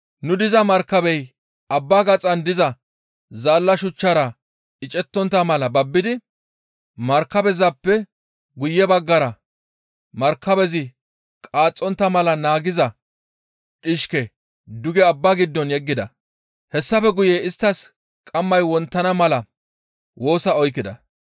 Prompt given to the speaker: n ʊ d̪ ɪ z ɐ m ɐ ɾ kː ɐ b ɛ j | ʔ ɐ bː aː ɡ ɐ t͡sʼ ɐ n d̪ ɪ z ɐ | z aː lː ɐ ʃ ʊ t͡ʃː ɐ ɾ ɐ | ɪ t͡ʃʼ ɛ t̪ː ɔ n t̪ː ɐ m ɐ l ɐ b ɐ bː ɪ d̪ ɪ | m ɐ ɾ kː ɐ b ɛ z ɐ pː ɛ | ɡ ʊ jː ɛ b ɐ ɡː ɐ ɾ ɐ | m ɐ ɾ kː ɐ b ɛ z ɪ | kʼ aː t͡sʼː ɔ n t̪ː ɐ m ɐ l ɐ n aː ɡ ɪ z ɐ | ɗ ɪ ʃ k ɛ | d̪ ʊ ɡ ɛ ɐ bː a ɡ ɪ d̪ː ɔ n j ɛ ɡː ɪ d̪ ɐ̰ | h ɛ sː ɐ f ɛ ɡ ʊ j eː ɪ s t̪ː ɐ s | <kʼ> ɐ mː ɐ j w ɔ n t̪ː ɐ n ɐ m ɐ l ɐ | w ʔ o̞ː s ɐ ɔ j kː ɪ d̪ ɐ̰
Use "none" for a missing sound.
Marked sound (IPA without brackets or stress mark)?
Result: kʼ